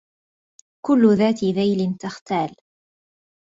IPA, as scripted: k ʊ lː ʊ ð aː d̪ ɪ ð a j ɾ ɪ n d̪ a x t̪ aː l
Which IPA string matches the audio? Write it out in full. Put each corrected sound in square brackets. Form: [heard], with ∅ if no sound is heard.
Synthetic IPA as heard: k ʊ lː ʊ ð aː [t̪] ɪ ð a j [l] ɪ n [t̪] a x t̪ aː l